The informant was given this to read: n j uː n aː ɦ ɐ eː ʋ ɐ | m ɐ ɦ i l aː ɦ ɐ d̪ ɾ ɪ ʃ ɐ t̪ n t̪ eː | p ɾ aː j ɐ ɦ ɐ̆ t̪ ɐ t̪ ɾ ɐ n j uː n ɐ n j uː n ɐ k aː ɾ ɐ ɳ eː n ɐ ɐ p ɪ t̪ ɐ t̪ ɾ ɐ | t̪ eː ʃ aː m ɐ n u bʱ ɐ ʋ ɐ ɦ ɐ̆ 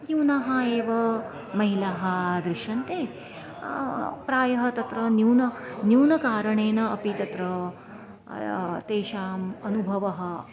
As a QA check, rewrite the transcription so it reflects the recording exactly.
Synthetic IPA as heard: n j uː n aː ɦ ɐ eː ʋ ɐ | m ɐ ɦ i l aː ɦ ɐ d̪ ɾ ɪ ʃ ɐ n t̪ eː | p ɾ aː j ɐ ɦ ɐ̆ t̪ ɐ t̪ ɾ ɐ n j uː n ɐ n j uː n ɐ k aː ɾ ɐ ɳ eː n ɐ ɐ p i t̪ ɐ t̪ ɾ ɐ | t̪ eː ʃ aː m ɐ n u bʱ ɐ ʋ ɐ ɦ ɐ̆